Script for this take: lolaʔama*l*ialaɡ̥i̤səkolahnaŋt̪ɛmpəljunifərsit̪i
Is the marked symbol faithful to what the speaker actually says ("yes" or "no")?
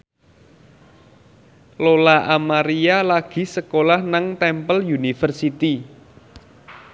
no